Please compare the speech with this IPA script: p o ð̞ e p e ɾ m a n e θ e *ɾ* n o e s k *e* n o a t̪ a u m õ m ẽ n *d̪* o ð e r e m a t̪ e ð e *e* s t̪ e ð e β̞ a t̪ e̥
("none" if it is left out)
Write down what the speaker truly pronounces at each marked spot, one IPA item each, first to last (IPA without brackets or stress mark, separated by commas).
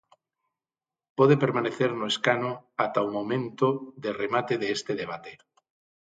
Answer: ɾ, a, t̪, e